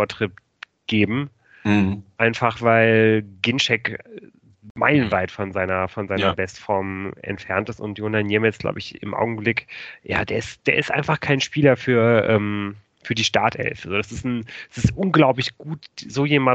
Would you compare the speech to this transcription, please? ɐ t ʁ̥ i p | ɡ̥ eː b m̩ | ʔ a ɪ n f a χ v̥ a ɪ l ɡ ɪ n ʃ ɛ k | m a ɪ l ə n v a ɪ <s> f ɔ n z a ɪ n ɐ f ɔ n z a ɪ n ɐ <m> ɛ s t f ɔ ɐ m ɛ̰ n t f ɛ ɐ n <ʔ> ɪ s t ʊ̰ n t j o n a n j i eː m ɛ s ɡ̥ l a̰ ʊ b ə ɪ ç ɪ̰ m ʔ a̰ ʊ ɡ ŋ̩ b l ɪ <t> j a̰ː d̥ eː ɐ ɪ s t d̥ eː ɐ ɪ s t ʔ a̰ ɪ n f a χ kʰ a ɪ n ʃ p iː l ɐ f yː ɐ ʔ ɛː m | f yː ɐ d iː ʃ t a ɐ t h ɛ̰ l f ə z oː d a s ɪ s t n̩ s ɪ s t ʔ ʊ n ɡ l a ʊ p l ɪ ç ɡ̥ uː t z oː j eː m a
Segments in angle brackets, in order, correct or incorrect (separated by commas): incorrect, incorrect, incorrect, incorrect